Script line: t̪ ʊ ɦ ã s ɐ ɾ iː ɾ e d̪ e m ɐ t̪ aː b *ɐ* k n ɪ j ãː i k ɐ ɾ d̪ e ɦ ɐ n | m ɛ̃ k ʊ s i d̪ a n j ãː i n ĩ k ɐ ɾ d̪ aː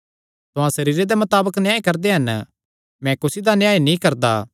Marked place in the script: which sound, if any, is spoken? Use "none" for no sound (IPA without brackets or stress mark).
ə